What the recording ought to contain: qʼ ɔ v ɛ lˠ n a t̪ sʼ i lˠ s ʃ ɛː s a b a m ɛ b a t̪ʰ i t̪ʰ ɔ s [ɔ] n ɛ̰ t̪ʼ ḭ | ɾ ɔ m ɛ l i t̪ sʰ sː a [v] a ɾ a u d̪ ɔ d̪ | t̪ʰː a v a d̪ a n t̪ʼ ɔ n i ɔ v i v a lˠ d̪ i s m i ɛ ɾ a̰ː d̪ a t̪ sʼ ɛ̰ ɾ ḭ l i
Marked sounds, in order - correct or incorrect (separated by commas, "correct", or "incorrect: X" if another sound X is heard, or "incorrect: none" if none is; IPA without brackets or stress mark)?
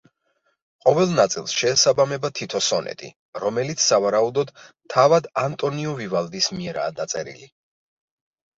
correct, correct